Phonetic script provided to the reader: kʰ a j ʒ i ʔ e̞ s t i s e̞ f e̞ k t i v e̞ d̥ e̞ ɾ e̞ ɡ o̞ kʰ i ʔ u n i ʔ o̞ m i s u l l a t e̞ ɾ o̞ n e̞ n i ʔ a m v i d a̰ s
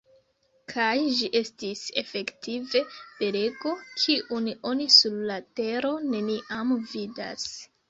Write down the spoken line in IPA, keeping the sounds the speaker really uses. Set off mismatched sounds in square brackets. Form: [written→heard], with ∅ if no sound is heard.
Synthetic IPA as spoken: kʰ a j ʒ i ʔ e̞ s t i s e̞ f e̞ k t i v e̞ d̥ e̞ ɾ e̞ ɡ o̞ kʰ i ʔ u n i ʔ o̞ [m→n] i s u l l a t e̞ ɾ o̞ n e̞ n i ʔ a m v i d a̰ s

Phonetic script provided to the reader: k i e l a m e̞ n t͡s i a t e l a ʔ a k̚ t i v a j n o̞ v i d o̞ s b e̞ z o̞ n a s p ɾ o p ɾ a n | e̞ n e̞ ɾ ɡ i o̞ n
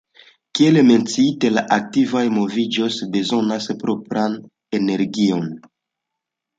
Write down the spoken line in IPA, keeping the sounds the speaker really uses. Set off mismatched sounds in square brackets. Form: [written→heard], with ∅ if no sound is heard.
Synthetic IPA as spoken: k i e l [a→e] m e̞ n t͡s i [a→i] t e l a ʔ a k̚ t i v a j [n→m] o̞ v i [d→d͡ʒ] o̞ s b e̞ z o̞ n a s p ɾ o p ɾ a n | e̞ n e̞ ɾ ɡ i o̞ n

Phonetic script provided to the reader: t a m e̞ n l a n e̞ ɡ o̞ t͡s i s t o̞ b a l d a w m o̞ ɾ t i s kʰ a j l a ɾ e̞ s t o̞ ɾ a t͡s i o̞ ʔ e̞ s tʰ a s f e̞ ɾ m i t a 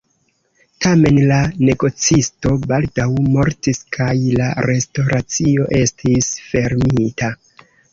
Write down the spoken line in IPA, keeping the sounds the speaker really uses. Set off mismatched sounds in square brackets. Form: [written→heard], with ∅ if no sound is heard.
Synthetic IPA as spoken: t a m e̞ n l a n e̞ ɡ o̞ t͡s i s t o̞ b a l d a w m o̞ ɾ t i s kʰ a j l a ɾ e̞ s t o̞ ɾ a t͡s i o̞ ʔ e̞ s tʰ [a→i] s f e̞ ɾ m i t a

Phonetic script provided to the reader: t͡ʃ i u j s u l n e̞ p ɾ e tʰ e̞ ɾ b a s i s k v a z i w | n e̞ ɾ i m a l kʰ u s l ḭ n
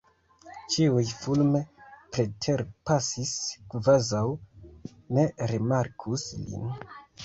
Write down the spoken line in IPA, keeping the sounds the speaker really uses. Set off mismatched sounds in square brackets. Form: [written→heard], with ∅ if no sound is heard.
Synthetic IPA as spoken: t͡ʃ i u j [s→f] u l [n→m] e̞ p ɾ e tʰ e̞ ɾ [b→p] a s i s k v a z [i→a] w | n e̞ ɾ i m a [l→ɾ] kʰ u s l ḭ n

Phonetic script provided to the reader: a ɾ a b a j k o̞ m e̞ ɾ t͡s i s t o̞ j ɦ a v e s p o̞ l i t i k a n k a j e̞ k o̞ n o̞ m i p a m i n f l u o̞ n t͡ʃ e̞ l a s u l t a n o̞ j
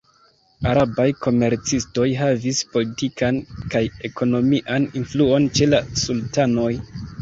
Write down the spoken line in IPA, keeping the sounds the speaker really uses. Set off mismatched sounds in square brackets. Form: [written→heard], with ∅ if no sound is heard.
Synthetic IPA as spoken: a ɾ a b a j k o̞ m e̞ ɾ t͡s i s t o̞ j ɦ a v [e→i] s p o̞ l i t i k a n k a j e̞ k o̞ n o̞ m i [p→ʔ] a [m→n] i n f l u o̞ n t͡ʃ e̞ l a s u l t a n o̞ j

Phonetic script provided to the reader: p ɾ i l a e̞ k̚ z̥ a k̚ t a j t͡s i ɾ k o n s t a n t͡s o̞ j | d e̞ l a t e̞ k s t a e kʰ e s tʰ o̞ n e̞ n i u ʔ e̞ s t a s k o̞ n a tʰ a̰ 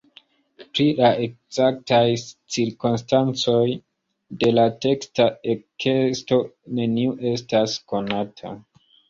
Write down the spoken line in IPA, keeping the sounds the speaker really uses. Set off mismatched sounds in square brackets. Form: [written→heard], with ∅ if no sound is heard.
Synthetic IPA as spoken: p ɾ i l a e̞ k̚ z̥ a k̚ t a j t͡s i ɾ k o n s t a n t͡s o̞ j | d e̞ l a t e̞ k s t a e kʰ e s [tʰ→t] o̞ n e̞ n i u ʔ e̞ s t a s k o̞ n a tʰ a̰

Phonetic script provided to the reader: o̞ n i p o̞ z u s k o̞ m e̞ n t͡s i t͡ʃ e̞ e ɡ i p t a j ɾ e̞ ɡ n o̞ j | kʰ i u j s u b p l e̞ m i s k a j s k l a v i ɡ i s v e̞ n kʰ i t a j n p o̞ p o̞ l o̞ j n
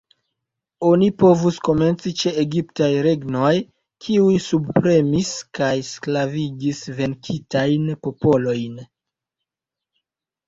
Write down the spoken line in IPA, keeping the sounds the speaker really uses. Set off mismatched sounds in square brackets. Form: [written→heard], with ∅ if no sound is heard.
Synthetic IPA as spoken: o̞ n i p o̞ [z→v] u s k o̞ m e̞ n t͡s i t͡ʃ e̞ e ɡ i p t a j ɾ e̞ ɡ n o̞ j | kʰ i u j s u b p [l→ɾ] e̞ m i s k a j s k l a v i ɡ i s v e̞ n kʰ i t a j n p o̞ p o̞ l o̞ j n

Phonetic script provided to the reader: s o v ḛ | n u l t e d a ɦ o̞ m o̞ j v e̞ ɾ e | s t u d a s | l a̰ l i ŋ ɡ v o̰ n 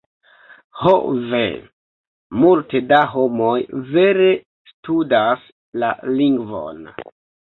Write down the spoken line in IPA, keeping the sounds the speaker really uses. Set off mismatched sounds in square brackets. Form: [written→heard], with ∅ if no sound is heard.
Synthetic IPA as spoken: [s→h] o v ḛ | [n→m] u l t e d a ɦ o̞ m o̞ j v e̞ ɾ e | s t u d a s | l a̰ l i ŋ ɡ v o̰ n

